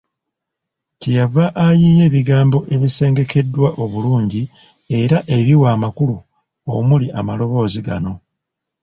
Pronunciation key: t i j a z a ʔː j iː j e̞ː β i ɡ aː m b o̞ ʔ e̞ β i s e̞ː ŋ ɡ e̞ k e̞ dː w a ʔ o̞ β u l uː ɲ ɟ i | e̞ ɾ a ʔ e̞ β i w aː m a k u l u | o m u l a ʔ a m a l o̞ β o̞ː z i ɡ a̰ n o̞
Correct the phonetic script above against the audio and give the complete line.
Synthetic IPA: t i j a v a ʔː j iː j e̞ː β i ɡ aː m b o̞ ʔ e̞ β i s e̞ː ŋ ɡ e̞ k e̞ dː w a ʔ o̞ β u l uː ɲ ɟ i | e̞ ɾ a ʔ e̞ β i w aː m a k u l u | o m u l i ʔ a m a l o̞ β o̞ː z i ɡ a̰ n o̞